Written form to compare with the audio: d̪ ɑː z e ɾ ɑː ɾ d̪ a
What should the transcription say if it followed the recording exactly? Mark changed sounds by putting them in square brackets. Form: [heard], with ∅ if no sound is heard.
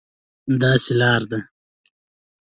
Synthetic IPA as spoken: d̪ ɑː [s] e [l] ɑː ɾ d̪ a